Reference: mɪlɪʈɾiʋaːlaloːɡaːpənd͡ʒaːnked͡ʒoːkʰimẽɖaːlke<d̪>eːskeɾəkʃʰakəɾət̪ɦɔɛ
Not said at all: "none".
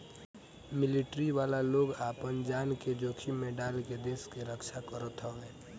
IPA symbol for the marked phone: d̪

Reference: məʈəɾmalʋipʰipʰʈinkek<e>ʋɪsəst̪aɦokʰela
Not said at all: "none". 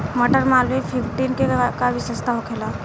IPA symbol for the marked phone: a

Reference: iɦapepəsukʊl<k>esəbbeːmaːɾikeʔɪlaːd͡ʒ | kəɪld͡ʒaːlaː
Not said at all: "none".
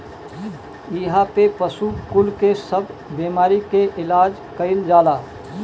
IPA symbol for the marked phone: k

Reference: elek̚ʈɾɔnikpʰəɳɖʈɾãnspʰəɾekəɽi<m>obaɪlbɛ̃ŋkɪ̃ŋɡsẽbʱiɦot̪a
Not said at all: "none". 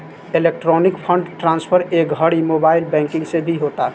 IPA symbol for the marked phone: m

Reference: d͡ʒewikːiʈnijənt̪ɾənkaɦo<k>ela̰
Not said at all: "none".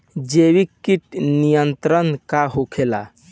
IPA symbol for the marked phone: kʰ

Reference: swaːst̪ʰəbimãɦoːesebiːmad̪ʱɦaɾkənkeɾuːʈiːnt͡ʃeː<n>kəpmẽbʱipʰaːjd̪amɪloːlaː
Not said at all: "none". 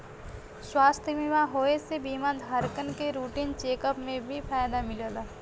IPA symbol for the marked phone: none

